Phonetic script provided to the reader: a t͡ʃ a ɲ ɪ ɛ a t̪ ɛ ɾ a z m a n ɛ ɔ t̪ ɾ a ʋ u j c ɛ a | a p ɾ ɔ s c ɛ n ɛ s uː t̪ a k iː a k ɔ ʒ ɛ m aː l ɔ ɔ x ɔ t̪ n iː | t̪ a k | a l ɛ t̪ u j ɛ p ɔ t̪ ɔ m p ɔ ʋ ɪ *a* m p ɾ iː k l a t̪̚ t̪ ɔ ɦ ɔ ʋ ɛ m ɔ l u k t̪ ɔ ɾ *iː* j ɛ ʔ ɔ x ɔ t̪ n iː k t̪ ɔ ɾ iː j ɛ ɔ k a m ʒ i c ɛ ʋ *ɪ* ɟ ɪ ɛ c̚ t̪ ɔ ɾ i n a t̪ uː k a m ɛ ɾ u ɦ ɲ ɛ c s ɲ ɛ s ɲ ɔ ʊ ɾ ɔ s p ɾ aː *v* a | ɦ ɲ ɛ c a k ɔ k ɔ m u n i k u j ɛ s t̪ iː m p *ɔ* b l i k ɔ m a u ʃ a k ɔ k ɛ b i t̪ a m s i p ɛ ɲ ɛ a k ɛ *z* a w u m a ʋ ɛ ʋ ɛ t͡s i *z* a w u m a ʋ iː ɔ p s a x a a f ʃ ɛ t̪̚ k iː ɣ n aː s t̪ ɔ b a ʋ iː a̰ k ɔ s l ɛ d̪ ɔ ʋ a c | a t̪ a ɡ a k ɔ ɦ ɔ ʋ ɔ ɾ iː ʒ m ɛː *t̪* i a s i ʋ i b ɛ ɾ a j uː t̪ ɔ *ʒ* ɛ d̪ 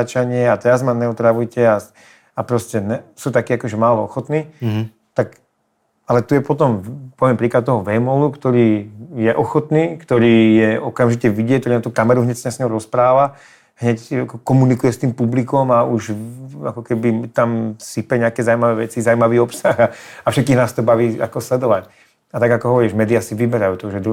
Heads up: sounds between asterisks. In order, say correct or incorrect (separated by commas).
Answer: incorrect, correct, incorrect, incorrect, incorrect, correct, correct, incorrect, correct